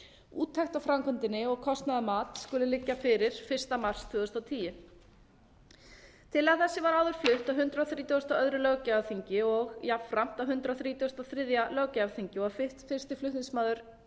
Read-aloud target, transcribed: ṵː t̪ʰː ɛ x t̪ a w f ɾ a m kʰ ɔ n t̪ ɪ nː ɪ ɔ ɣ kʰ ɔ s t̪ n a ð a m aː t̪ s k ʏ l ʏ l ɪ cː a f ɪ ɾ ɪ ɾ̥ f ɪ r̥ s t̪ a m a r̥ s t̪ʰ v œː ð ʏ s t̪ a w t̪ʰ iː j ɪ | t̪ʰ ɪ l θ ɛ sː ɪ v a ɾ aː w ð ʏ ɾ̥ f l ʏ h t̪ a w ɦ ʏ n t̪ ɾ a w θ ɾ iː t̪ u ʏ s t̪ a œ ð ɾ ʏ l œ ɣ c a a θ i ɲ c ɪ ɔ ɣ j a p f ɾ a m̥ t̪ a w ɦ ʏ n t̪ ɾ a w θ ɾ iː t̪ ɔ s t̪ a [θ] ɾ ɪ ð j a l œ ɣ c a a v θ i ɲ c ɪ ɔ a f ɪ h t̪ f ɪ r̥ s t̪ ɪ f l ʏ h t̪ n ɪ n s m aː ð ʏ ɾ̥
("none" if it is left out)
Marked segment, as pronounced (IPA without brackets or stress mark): θ